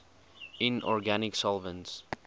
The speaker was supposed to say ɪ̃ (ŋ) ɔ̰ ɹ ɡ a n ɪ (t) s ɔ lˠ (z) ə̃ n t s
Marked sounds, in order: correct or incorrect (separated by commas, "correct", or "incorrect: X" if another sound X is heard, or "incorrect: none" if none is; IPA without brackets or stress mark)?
incorrect: n, incorrect: k, incorrect: v